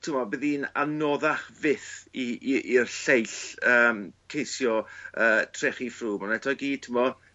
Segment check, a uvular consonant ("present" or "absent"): present